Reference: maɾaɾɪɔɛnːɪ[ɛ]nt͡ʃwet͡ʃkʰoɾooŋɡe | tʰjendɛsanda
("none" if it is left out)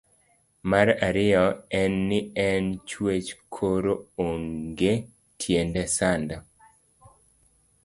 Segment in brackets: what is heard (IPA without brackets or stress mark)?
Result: ɛ